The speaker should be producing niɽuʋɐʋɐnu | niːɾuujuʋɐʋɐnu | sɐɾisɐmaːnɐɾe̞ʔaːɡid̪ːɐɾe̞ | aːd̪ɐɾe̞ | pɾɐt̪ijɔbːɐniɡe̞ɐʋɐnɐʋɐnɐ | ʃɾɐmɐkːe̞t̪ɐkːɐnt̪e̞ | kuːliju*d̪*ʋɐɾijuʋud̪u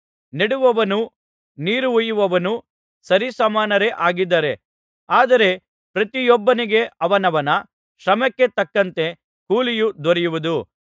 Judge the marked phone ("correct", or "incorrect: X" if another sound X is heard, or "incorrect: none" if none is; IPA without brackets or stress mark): correct